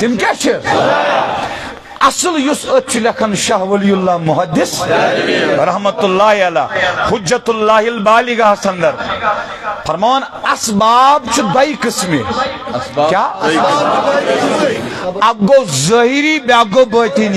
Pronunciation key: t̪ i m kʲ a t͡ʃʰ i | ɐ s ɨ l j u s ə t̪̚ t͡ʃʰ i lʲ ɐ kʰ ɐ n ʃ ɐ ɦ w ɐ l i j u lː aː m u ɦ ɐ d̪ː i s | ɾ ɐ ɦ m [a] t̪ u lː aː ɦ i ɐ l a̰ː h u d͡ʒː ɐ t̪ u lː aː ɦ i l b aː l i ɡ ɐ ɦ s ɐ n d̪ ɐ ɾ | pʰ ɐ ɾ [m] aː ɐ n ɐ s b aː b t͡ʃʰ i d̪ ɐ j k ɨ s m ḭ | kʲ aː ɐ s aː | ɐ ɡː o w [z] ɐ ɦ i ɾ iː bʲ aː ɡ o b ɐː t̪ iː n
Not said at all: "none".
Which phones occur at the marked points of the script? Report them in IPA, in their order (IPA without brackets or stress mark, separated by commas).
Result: ɐ, m, z